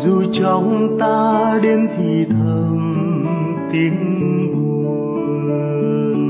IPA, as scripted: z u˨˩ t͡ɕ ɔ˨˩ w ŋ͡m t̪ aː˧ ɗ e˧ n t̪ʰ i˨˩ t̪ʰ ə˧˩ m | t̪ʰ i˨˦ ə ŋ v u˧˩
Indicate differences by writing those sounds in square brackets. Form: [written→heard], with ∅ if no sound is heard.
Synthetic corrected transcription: z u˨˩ t͡ɕ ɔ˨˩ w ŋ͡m t̪ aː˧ ɗ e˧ n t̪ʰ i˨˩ t̪ʰ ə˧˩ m | [t̪ʰ→t̪] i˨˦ ə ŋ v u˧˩